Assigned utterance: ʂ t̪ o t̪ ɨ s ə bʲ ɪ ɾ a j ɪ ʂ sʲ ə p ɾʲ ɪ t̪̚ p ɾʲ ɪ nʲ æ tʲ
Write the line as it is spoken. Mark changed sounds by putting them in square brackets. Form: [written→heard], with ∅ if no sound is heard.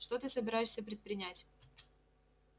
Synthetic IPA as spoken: ʂ t̪ o t̪ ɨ s ə bʲ ɪ ɾ a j ɪ ʂ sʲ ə p ɾʲ ɪ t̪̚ p ɾʲ ɪ nʲ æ tʲ